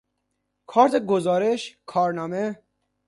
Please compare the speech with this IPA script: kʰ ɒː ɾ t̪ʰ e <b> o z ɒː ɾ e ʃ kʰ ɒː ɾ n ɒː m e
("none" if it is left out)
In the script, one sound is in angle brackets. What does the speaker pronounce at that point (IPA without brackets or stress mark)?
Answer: ɡ